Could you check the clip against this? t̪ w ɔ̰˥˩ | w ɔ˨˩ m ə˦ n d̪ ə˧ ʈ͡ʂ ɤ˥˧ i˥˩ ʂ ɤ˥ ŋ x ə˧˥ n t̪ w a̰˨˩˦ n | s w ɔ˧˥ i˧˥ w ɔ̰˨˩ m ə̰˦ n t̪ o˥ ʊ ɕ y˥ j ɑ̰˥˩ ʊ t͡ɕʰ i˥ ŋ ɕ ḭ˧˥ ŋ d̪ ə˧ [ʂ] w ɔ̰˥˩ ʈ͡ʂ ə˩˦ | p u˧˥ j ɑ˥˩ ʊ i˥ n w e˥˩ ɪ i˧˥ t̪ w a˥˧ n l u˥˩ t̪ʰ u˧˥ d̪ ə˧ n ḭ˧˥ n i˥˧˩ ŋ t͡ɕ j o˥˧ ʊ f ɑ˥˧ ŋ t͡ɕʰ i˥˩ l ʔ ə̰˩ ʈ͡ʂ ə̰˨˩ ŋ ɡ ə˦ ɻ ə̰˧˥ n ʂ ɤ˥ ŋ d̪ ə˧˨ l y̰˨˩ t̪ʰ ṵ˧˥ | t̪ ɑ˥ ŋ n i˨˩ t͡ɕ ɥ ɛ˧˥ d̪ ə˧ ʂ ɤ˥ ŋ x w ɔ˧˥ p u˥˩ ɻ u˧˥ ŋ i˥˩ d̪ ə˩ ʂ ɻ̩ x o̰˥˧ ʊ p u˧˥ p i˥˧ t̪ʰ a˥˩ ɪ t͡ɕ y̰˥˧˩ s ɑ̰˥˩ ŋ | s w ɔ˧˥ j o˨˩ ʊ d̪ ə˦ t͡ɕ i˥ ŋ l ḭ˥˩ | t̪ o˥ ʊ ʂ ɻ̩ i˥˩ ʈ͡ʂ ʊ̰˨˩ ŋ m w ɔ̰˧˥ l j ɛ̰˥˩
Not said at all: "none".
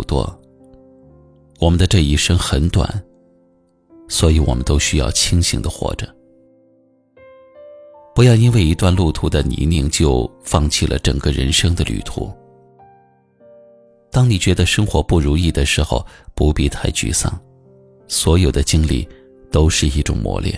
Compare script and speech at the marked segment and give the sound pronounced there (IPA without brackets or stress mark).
x